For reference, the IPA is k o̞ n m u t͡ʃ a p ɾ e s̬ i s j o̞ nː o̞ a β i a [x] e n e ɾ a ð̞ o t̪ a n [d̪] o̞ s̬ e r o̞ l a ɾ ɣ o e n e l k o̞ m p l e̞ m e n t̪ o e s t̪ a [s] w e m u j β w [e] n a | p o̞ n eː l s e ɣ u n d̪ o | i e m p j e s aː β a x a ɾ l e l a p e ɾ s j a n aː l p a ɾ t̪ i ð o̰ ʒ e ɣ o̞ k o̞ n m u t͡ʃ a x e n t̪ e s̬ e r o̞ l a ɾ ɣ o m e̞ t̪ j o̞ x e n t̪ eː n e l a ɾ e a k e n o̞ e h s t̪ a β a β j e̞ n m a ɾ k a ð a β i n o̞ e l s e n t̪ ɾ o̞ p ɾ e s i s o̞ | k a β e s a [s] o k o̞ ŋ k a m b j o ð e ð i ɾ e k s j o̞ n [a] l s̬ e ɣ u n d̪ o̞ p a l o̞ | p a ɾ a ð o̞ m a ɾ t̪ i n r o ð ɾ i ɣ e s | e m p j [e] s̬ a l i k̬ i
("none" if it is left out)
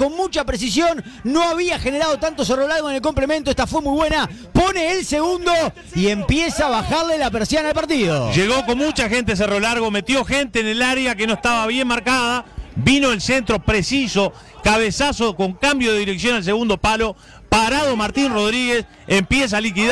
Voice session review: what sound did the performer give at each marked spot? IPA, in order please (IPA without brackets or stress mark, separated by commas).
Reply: x, t̪, f, e, s, a, e